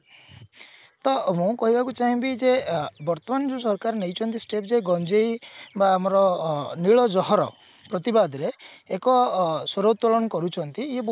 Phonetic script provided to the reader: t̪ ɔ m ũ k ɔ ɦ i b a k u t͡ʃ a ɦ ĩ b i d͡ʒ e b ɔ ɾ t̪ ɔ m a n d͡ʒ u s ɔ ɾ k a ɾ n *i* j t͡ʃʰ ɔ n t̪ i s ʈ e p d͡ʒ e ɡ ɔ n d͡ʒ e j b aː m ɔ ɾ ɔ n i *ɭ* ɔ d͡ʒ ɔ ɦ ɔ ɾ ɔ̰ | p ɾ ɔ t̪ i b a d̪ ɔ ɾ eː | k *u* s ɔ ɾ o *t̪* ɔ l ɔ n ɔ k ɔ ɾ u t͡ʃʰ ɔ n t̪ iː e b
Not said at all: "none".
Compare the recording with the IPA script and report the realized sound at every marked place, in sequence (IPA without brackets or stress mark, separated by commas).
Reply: e, ɭ, ɔ, t̪